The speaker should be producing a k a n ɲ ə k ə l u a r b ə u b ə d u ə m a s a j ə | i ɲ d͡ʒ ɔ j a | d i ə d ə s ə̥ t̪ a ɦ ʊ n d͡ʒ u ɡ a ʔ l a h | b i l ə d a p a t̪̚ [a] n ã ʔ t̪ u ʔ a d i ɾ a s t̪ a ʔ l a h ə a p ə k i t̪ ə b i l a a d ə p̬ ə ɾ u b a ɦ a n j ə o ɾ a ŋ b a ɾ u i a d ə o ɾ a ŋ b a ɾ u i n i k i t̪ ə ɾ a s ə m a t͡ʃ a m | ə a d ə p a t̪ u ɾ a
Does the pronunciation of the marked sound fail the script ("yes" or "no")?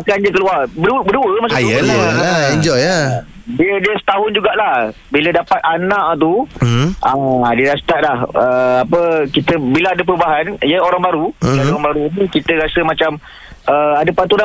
no